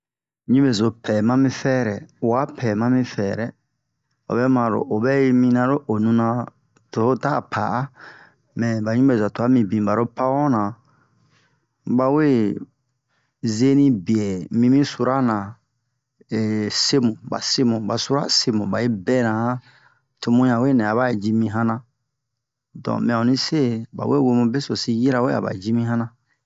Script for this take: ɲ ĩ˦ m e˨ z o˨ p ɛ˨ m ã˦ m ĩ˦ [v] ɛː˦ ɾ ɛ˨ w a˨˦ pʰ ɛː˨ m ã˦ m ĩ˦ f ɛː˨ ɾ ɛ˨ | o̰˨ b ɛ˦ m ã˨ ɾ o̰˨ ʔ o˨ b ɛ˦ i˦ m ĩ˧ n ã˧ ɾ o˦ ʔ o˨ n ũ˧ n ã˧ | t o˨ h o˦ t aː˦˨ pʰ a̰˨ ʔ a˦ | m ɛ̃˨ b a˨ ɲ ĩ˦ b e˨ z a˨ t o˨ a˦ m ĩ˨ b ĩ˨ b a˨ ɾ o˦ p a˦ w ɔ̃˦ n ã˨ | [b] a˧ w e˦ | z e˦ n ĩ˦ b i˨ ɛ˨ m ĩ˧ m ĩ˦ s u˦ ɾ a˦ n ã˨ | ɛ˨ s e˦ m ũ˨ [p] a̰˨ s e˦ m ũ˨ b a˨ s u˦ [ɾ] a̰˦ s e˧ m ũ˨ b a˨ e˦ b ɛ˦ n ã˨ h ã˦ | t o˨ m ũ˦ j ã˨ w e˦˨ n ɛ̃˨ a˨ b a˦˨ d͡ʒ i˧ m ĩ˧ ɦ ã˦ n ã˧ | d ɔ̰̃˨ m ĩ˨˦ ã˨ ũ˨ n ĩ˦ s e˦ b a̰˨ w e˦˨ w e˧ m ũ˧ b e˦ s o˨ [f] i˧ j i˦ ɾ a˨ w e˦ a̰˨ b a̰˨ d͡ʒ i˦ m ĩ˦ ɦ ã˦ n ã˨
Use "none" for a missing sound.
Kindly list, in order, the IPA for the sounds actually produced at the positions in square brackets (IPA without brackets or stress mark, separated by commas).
f, b, b, ɾ, s